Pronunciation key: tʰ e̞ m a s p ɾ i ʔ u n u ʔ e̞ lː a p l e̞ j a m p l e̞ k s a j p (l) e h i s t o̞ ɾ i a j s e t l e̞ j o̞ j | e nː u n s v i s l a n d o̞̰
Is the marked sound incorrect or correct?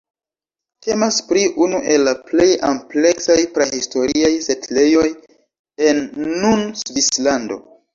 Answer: incorrect